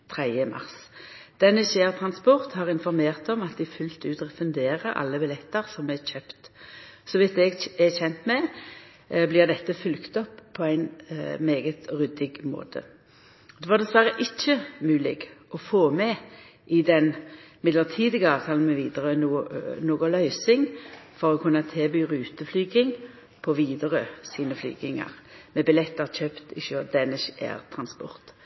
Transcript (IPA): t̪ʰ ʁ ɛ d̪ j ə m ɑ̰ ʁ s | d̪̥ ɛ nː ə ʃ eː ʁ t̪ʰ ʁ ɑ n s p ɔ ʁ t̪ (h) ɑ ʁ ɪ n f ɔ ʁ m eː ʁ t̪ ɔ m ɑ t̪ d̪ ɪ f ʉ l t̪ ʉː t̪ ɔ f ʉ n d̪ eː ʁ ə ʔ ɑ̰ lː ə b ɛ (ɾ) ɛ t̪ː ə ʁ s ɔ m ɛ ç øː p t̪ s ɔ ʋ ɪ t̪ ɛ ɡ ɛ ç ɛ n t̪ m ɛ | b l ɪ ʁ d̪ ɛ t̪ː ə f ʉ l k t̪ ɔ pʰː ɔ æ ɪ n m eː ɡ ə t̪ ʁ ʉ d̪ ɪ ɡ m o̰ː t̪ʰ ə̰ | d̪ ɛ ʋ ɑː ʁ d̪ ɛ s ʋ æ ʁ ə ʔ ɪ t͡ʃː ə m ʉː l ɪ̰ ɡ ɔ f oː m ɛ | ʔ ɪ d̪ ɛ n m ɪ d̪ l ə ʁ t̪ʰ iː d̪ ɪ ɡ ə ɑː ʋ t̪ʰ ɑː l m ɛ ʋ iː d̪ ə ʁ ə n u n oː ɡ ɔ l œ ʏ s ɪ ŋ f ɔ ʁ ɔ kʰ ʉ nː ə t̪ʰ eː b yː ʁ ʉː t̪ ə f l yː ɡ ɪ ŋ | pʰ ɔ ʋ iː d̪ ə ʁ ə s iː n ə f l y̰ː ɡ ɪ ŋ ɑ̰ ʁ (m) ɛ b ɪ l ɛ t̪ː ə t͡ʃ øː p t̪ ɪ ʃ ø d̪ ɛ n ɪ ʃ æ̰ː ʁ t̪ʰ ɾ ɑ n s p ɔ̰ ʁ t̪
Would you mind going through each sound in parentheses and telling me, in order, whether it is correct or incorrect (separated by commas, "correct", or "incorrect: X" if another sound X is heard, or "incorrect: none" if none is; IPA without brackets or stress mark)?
correct, incorrect: l, correct